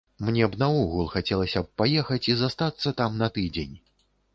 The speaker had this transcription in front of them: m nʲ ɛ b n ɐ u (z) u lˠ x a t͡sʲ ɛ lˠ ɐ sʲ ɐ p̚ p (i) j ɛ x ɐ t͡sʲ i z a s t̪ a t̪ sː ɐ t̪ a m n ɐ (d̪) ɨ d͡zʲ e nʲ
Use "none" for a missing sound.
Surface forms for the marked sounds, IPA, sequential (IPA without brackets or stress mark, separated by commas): ɣ, a, t̪